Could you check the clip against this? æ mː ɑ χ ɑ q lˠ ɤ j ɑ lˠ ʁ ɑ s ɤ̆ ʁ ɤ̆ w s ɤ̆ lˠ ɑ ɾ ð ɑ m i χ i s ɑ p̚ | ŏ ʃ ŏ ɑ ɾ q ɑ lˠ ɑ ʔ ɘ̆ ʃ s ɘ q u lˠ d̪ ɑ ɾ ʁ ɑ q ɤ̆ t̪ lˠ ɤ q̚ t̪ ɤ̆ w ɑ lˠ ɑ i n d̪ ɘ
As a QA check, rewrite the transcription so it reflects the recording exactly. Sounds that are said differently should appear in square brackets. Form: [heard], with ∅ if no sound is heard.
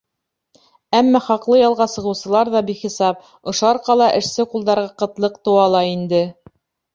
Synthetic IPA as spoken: æ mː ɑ χ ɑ q lˠ ɤ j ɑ lˠ ʁ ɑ s ɤ̆ ʁ ɤ̆ w s ɤ̆ lˠ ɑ ɾ ð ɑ [b] i χ i s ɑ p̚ | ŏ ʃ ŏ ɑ ɾ q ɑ lˠ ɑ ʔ ɘ̆ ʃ s ɘ q u lˠ d̪ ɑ ɾ ʁ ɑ q ɤ̆ t̪ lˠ ɤ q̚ t̪ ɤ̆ w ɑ lˠ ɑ i n d̪ ɘ